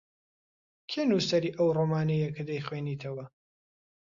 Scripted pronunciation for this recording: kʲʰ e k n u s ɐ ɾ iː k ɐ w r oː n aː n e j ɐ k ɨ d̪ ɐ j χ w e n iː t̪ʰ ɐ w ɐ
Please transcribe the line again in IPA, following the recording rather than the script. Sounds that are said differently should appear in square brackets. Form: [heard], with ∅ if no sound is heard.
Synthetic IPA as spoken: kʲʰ e [∅] n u s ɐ ɾ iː [ʔ] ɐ w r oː [m] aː n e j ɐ k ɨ d̪ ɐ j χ w e n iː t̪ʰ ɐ w ɐ